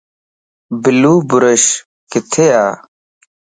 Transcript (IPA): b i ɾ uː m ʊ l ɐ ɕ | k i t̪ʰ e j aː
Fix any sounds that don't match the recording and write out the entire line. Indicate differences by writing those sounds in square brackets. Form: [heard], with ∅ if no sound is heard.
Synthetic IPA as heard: b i [l] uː [b] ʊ [ɾ] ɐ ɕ | k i t̪ʰ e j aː